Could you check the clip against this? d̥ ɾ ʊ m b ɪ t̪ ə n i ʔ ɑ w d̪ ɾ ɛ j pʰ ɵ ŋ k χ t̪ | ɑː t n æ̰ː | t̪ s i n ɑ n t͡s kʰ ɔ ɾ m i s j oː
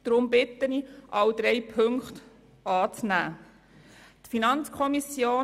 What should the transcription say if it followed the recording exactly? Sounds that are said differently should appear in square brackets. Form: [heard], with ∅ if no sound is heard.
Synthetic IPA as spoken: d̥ ɾ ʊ m b ɪ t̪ ə n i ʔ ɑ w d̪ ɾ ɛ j pʰ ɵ ŋ k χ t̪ | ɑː [t͡s] n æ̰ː | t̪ [f] i n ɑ n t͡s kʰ ɔ [∅] m i s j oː